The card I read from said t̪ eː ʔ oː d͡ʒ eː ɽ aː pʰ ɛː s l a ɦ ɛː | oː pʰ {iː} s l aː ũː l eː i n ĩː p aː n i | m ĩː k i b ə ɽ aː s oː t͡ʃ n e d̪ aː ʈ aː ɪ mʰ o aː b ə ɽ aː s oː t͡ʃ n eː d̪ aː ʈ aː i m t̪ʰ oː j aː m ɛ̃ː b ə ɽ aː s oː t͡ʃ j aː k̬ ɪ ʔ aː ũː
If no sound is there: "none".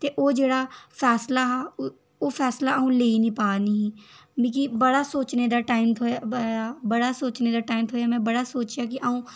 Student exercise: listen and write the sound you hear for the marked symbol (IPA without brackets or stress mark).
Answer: ɛː